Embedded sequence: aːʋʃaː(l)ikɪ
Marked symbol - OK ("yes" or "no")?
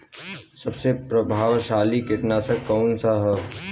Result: yes